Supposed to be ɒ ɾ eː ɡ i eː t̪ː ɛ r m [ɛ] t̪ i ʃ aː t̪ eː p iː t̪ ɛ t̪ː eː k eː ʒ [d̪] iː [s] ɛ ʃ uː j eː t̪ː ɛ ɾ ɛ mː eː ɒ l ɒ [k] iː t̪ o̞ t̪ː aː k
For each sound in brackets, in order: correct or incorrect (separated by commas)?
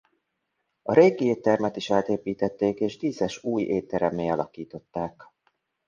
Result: correct, correct, incorrect, correct